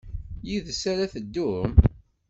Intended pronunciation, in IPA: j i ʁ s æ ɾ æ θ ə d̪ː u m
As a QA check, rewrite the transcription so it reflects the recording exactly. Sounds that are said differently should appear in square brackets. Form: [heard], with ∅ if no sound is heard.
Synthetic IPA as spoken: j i [ð] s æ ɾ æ θ ə d̪ː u m